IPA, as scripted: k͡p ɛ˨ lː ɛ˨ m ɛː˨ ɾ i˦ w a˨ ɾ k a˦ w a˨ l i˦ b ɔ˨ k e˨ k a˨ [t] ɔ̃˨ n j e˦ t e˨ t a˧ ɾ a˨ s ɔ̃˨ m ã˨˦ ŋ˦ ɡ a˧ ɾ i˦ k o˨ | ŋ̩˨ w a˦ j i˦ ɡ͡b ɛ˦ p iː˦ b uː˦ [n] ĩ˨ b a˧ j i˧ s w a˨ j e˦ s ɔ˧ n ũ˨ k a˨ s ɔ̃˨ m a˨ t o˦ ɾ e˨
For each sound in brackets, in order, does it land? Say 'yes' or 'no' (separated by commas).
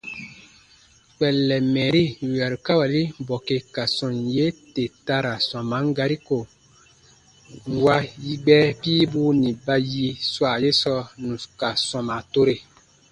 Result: no, yes